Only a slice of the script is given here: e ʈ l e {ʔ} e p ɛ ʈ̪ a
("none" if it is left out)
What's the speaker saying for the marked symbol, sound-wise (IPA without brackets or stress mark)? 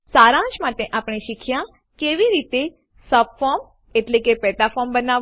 k